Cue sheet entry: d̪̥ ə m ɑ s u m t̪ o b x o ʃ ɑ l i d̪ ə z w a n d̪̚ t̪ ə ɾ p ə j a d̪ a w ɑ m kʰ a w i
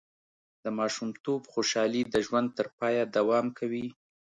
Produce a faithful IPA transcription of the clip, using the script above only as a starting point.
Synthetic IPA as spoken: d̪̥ ə m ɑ ʃ u m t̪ o b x o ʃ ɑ l i d̪ ə ʒ w a n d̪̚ t̪ ə ɾ p ɑ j a d̪ a w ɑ m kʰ a w i